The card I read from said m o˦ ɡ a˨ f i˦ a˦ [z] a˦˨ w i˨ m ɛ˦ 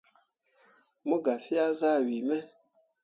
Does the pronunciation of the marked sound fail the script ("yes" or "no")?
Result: no